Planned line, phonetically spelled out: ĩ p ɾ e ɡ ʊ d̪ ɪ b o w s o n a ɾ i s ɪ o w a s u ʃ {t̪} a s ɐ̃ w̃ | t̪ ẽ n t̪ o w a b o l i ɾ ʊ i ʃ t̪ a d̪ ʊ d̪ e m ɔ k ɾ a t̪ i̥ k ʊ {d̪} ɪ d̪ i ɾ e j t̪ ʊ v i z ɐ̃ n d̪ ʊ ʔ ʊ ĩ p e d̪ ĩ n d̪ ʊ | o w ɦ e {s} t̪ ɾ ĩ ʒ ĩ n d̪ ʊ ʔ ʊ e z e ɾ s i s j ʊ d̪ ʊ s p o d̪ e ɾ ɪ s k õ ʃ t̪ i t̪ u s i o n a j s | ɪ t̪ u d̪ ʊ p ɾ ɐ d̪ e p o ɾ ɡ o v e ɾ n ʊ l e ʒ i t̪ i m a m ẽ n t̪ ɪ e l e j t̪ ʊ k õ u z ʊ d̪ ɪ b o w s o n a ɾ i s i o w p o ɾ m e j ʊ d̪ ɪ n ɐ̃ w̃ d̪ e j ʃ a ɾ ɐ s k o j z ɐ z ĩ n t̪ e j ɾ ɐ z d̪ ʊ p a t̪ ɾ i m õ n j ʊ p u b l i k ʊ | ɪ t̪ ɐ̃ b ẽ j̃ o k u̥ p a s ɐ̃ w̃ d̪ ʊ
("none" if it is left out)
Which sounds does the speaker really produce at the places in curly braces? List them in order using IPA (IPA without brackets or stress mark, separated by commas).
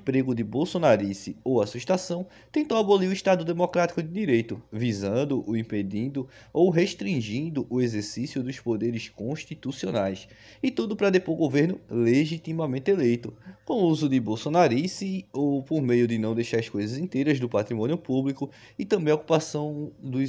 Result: t̪, d̪, ʃ